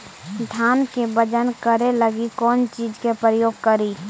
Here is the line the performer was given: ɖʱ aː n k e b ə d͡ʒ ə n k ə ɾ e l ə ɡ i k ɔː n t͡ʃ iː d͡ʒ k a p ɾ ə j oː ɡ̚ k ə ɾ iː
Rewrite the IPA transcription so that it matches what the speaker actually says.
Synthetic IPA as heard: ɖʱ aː n k e b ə d͡ʒ ə n k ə ɾ e l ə ɡ i k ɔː n t͡ʃ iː d͡ʒ k e p ɾ ə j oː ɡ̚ k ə ɾ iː